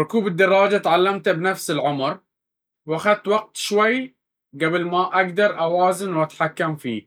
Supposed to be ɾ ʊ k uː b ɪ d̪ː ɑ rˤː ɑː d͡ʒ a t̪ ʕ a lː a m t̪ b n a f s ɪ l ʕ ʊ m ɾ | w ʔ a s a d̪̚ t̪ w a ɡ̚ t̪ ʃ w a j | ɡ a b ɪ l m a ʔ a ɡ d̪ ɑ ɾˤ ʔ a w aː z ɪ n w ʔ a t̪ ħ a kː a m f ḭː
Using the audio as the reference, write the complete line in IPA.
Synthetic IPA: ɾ ʊ k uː b ɪ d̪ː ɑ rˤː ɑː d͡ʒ a t̪ ʕ a lː a m t̪ b n a f s ɪ l ʕ ʊ m ɾ | w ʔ a x a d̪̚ t̪ w a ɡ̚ t̪ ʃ w a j | ɡ a b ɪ l m a ʔ a ɡ d̪ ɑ ɾˤ ʔ a w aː z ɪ n w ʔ a t̪ ħ a kː a m f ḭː